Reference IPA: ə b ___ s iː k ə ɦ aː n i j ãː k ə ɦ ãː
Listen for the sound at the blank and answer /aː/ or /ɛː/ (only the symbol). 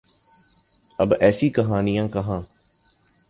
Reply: ɛː